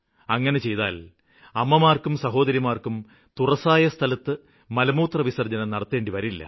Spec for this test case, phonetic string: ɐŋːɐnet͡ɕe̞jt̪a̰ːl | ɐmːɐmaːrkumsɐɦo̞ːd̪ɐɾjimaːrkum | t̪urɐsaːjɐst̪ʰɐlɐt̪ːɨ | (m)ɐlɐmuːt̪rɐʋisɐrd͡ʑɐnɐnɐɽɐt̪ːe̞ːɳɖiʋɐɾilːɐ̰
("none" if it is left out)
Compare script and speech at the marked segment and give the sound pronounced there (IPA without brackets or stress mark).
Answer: m